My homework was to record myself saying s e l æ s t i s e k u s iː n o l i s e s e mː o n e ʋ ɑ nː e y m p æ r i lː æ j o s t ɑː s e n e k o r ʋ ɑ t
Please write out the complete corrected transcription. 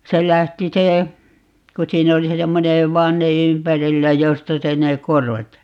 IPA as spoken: s e l æ h t i s e k u s iː n o l i s e s e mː o n e ʋ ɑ nː e y m p æ r i lː æ j o s t ɑ s e n e k o r ʋ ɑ t